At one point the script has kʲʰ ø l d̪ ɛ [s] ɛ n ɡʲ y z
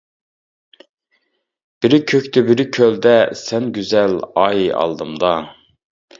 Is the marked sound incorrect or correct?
correct